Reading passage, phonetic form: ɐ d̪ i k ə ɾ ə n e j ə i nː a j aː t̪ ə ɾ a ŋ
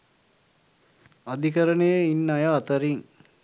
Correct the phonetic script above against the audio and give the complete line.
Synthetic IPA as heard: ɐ d̪ i k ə ɾ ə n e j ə i nː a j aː t̪ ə ɾ i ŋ